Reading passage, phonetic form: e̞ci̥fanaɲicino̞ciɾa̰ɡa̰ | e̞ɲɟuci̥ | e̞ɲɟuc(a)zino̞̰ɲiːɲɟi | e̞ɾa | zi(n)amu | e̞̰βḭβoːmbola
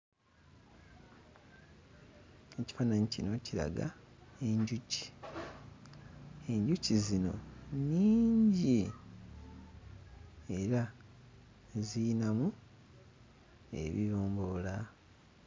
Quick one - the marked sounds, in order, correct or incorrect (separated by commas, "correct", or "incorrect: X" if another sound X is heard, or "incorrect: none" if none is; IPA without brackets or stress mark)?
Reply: incorrect: i, correct